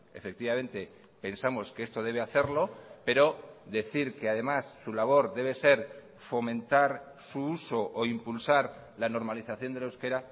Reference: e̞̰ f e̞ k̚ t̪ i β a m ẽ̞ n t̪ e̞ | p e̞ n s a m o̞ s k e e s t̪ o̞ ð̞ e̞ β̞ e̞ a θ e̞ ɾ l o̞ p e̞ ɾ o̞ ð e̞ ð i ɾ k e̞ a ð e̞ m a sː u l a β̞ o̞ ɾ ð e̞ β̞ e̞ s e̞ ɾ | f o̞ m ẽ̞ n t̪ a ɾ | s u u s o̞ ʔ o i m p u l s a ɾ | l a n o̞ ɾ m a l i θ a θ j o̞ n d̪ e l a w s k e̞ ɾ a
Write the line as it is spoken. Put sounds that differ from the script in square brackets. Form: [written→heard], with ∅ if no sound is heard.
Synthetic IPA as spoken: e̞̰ f e̞ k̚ t̪ i β a m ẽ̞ n t̪ e̞ | p e̞ n s a m o̞ s k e e s t̪ o̞ ð̞ e̞ β̞ e̞ a θ e̞ ɾ l o̞ p e̞ ɾ o̞ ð e̞ [ð→θ] i ɾ k e̞ a ð e̞ m a sː u l a β̞ o̞ ɾ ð e̞ β̞ e̞ s e̞ ɾ | f o̞ m ẽ̞ n t̪ a ɾ | s u u s o̞ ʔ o i m p u l s a ɾ | l a n o̞ ɾ m a l i θ a θ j o̞ n d̪ e l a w s k e̞ ɾ a

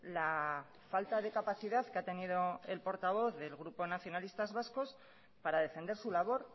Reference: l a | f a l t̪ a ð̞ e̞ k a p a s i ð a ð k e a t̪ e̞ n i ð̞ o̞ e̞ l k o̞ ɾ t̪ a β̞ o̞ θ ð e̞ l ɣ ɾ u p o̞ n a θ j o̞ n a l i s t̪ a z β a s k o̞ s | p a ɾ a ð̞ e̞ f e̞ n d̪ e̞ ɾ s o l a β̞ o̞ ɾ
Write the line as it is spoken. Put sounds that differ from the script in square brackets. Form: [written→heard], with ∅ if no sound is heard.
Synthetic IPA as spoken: l a | f a l t̪ a ð̞ e̞ k a p a [s→θ] i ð a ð k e a t̪ e̞ n i ð̞ o̞ e̞ l [k→p] o̞ ɾ t̪ a β̞ o̞ θ ð e̞ l ɣ ɾ u p o̞ n a θ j o̞ n a l i s t̪ a z β a s k o̞ s | p a ɾ a ð̞ e̞ f e̞ n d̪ e̞ ɾ s [o→u] l a β̞ o̞ ɾ

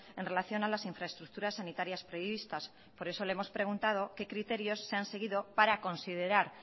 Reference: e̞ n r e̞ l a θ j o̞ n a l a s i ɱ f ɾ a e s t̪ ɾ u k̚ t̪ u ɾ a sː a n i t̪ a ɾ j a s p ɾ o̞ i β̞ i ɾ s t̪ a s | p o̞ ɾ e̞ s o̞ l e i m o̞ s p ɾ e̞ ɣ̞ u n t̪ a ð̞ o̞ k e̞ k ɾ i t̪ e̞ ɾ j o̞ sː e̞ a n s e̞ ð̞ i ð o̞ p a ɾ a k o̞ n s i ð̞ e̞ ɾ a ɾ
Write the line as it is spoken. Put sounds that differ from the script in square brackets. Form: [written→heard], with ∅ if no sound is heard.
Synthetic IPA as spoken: e̞ n r e̞ l a θ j o̞ n a l a s i ɱ f ɾ a e s t̪ ɾ u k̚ t̪ u ɾ a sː a n i t̪ a ɾ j a s p ɾ o̞ i β̞ i [ɾ→∅] s t̪ a s | p o̞ ɾ e̞ s o̞ l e [i→e] m o̞ s p ɾ e̞ ɣ̞ u n t̪ a ð̞ o̞ k e̞ k ɾ i t̪ e̞ ɾ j o̞ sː e̞ a n s e̞ [ð̞→ɣ̞] i ð o̞ p a ɾ a k o̞ n s i ð̞ e̞ ɾ a ɾ

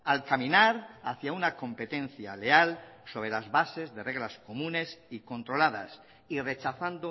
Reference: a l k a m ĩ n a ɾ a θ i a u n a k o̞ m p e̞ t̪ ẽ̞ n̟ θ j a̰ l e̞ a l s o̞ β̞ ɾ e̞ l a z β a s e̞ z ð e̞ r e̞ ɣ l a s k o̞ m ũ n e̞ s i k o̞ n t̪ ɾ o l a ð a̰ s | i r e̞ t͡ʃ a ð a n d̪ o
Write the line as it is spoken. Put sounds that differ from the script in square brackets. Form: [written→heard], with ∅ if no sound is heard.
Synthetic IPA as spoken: a l k a m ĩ n a ɾ a θ [i→j] a u n a k o̞ m p e̞ t̪ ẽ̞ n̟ θ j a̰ l e̞ a l s o̞ β̞ ɾ e̞ l a z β a s e̞ z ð e̞ r e̞ ɣ l a s k o̞ m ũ n e̞ s i k o̞ n t̪ ɾ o l a ð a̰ s | i r e̞ t͡ʃ a [ð→θ] a n d̪ o

